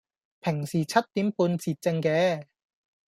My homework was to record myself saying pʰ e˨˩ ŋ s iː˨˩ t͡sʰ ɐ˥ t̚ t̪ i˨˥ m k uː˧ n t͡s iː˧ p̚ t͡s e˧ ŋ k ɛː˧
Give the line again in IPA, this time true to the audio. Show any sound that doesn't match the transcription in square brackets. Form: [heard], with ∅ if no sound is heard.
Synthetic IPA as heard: pʰ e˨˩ ŋ s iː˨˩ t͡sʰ ɐ˥ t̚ t̪ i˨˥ m [p] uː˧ n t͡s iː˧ [t̚] t͡s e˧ ŋ k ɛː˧